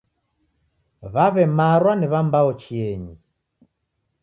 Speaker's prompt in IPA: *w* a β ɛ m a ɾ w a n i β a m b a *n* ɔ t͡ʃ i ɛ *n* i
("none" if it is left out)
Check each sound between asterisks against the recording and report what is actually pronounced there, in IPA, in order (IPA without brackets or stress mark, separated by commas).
β, none, ɲ